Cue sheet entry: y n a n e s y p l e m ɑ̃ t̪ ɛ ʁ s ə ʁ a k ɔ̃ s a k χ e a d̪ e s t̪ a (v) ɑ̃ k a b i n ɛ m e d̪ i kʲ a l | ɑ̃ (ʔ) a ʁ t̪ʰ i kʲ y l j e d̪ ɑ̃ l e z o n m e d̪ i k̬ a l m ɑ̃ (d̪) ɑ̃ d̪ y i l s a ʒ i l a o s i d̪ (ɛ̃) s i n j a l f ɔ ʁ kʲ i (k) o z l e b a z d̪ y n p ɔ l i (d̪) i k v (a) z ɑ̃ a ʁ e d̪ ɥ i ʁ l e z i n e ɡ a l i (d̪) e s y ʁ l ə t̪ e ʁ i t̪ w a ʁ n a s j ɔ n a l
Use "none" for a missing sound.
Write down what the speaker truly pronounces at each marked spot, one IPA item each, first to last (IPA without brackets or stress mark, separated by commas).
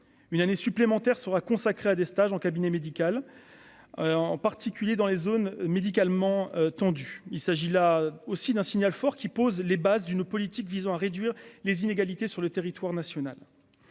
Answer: ʒ, p, t̪, ɛ̃, p, t̪, i, t̪